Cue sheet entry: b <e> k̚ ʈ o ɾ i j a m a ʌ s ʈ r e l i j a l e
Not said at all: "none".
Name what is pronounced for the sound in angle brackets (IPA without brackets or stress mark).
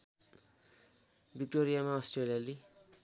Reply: i